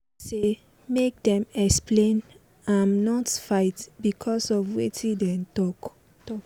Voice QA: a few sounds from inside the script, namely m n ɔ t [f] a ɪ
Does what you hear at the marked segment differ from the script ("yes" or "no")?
no